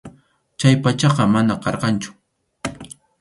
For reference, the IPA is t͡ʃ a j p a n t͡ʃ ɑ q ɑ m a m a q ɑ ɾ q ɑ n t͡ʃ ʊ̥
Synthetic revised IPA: t͡ʃ a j p a t͡ʃ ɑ q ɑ m a n a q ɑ ɾ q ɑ n t͡ʃ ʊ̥